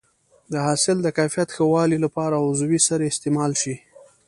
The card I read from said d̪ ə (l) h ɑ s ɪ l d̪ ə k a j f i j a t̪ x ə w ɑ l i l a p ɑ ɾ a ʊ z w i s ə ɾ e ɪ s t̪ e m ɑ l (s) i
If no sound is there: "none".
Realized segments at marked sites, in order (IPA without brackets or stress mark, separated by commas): none, ʃ